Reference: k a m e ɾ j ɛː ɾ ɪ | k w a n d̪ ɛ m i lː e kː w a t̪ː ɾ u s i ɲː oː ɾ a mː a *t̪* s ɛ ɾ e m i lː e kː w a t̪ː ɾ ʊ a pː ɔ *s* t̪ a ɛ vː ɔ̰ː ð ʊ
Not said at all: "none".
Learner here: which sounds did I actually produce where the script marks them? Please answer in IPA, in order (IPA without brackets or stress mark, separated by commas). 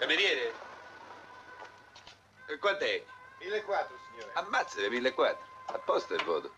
t̪, s